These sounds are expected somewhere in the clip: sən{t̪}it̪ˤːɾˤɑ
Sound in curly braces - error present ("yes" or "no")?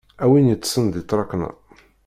yes